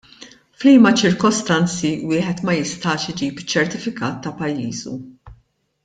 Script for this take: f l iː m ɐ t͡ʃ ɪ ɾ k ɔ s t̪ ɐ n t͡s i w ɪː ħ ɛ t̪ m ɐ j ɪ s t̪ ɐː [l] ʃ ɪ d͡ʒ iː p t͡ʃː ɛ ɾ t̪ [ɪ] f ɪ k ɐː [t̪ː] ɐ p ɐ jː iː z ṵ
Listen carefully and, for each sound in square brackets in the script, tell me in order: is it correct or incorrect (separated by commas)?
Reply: incorrect, correct, correct